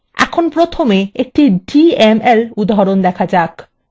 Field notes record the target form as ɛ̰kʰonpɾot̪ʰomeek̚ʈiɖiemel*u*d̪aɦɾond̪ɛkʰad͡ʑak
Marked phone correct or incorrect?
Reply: correct